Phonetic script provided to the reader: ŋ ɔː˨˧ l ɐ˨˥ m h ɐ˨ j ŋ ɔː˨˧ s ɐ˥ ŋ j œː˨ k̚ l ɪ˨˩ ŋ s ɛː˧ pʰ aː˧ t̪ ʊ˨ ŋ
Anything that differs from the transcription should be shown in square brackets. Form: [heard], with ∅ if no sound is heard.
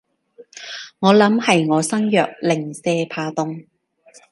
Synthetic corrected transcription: ŋ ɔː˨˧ l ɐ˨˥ m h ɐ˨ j ŋ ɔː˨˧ s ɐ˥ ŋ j œː˨ k̚ l ɪ˨˩ ŋ s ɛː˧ pʰ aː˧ t̪ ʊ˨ ŋ